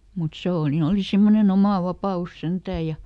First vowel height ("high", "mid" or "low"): high